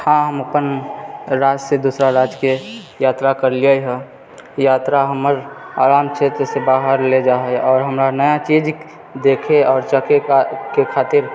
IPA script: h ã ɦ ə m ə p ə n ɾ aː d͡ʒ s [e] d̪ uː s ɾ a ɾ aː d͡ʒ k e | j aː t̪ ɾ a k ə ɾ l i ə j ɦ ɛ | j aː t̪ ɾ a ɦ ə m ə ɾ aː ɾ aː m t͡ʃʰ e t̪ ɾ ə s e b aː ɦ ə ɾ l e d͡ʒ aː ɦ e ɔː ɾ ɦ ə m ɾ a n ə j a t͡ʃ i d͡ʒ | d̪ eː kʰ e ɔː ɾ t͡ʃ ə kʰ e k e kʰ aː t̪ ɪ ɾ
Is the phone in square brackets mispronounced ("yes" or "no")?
no